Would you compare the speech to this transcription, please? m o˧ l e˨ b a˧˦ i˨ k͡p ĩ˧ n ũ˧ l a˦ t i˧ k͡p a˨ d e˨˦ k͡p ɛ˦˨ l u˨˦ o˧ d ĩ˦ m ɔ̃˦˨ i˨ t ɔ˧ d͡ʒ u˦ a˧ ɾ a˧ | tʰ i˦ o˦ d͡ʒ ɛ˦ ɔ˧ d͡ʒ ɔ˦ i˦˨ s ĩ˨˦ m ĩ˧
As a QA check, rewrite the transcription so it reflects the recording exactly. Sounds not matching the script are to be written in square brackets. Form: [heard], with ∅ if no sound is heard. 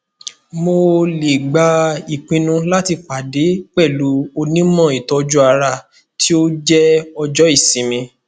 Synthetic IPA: m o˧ l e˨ [ɡ͡b] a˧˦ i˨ k͡p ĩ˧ n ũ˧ l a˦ t i˧ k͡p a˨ d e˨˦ k͡p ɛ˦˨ l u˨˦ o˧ [n] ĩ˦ m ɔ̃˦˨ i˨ t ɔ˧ d͡ʒ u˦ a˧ ɾ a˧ | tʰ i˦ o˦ d͡ʒ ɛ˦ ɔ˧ d͡ʒ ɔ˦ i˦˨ s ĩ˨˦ m ĩ˧